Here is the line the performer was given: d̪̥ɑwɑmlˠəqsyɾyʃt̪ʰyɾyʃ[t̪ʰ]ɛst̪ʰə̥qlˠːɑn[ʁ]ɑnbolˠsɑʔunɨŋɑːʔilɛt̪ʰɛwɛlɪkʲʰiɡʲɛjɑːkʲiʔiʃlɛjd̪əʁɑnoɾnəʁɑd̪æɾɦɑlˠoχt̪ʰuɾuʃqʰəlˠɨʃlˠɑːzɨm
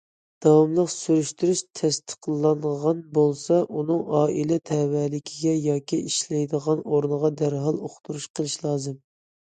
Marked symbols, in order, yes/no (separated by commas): yes, yes